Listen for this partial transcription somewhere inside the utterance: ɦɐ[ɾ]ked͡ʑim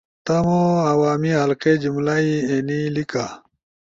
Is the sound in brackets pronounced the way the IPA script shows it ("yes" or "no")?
no